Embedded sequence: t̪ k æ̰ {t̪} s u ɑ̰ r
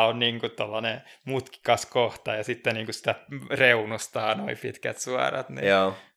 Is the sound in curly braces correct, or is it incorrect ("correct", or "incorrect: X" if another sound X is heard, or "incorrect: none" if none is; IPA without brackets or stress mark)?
correct